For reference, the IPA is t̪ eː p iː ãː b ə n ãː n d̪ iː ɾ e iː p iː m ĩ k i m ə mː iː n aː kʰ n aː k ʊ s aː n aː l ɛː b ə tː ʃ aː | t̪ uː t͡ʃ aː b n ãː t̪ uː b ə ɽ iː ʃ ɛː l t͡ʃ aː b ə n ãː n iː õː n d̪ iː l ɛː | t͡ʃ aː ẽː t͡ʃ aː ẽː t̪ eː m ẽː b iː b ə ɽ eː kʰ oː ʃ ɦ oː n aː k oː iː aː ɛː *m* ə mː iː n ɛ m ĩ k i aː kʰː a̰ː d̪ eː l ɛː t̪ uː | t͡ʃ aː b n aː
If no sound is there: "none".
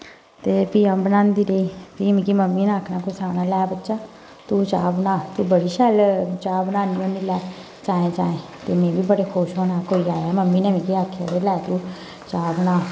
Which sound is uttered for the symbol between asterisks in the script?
m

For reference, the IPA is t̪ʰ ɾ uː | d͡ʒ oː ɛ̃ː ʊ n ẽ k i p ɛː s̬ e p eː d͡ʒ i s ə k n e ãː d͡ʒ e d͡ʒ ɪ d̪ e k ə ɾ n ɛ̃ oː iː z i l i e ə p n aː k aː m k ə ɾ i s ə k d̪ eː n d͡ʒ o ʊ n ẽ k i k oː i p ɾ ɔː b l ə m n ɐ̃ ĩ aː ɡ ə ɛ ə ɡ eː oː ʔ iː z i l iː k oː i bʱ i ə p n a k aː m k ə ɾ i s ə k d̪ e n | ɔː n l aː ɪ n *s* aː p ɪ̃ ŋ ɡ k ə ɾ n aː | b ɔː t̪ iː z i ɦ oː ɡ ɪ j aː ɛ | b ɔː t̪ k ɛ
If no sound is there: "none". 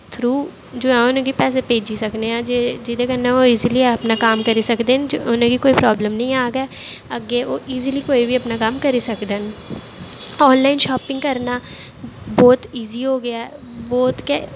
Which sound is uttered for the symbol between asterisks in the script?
ʃ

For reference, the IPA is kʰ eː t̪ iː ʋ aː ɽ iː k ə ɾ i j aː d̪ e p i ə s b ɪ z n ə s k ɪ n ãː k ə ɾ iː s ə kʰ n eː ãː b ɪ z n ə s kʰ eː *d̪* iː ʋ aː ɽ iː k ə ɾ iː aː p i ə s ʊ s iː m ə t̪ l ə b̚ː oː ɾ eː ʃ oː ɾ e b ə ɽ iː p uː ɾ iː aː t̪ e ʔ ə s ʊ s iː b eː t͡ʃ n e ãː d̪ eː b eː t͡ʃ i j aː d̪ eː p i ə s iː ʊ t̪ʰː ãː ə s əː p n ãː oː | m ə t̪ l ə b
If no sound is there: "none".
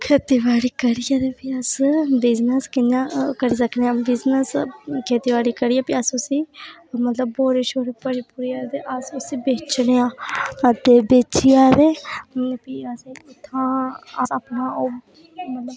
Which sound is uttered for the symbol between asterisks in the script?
t̪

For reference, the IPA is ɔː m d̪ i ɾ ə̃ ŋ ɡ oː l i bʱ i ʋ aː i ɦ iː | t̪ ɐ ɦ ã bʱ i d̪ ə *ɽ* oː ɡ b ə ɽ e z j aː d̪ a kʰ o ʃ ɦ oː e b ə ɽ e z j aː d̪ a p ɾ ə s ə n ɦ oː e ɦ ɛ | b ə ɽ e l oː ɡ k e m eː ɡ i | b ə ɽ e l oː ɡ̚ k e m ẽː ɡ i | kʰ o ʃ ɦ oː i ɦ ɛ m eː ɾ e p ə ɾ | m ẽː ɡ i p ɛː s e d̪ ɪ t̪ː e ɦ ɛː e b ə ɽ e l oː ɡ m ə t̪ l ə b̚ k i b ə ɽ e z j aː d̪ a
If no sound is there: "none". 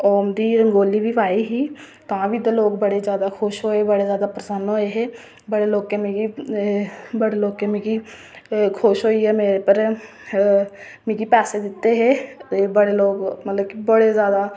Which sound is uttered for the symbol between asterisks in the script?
l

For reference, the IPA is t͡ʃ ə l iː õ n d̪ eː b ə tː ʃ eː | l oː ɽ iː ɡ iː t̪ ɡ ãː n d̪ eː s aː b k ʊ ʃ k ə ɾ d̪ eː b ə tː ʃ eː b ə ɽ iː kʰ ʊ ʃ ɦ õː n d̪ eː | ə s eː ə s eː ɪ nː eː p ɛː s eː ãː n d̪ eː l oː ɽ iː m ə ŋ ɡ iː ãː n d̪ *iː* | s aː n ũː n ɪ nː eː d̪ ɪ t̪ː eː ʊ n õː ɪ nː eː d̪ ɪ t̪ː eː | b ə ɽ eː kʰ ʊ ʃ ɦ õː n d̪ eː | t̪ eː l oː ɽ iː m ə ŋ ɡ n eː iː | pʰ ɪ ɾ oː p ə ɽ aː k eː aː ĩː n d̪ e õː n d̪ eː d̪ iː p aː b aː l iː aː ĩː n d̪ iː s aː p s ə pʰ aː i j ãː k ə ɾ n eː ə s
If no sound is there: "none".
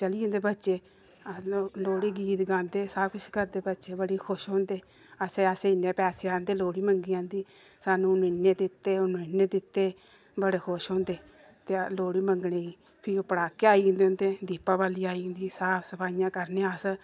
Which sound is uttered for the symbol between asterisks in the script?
iː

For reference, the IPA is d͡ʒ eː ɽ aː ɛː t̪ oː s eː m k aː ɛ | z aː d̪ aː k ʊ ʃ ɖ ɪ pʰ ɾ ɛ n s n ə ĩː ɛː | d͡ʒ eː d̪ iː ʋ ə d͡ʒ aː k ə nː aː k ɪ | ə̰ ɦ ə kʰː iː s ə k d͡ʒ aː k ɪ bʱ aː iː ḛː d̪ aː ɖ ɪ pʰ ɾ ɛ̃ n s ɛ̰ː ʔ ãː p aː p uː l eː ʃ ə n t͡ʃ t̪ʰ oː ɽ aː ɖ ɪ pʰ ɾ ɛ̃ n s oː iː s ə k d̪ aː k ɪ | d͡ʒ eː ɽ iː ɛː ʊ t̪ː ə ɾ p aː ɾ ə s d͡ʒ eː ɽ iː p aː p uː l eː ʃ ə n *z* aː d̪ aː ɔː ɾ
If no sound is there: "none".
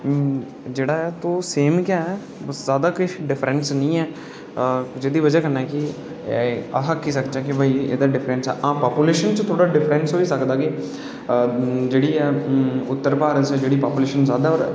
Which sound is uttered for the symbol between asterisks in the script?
z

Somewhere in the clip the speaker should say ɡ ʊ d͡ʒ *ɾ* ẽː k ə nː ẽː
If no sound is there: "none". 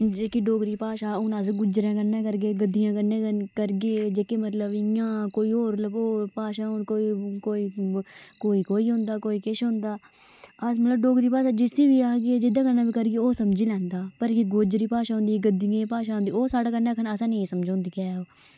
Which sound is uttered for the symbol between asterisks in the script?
ɾ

